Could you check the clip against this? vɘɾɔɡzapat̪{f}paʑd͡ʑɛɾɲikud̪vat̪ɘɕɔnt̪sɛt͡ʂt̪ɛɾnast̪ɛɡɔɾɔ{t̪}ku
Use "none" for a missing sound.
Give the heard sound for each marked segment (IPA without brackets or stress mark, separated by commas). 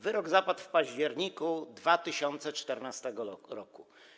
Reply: f, none